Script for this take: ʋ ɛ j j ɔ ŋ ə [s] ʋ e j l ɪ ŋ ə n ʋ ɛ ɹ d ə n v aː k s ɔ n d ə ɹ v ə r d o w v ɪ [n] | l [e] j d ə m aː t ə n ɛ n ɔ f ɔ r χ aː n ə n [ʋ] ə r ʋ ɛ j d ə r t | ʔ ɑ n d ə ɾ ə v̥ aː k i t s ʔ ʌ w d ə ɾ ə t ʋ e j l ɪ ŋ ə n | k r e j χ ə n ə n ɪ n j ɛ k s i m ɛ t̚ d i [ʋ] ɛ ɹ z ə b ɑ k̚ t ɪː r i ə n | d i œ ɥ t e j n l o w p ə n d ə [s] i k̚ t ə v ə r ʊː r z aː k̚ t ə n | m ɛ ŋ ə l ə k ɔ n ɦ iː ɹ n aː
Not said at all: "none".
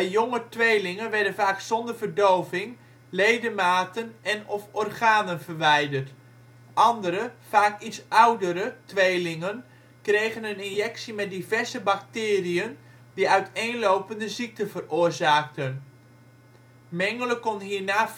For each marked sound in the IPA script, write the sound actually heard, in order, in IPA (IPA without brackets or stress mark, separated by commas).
t, ŋ, e, v, v, z